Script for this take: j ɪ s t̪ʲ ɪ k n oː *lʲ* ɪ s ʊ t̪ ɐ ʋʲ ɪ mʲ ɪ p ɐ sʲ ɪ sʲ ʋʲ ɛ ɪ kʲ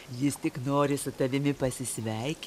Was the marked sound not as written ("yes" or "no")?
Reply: yes